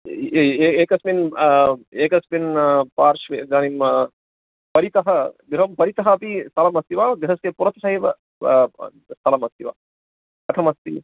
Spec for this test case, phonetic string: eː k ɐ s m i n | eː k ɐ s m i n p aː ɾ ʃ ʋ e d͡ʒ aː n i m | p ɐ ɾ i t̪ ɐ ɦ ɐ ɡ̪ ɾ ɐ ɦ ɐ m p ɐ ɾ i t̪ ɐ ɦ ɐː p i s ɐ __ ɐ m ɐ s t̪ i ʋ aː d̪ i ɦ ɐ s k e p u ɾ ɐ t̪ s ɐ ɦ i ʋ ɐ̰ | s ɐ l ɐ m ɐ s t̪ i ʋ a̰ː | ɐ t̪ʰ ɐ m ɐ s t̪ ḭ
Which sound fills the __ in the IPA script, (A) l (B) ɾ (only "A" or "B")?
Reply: A